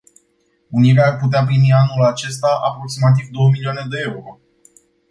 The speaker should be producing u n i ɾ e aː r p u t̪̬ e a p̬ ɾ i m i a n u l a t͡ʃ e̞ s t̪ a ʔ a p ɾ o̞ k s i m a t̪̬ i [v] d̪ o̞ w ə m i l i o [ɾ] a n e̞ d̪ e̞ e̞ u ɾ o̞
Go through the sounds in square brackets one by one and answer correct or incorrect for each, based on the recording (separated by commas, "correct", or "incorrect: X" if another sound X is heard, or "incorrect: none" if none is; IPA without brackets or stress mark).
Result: correct, incorrect: none